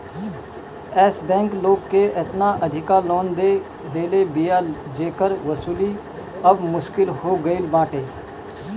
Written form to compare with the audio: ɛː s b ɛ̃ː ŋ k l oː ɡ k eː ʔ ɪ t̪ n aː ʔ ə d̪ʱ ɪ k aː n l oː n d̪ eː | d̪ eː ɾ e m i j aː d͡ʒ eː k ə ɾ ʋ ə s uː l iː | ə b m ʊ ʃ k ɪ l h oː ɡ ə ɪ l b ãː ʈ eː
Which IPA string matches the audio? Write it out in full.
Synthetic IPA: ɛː s b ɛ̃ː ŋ k l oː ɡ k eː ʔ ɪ t̪ n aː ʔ ə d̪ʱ ɪ k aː l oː n d̪ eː | d̪ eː l e b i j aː d͡ʒ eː k ə ɾ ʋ ə s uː l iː | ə b m ʊ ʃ k ɪ l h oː ɡ ə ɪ l b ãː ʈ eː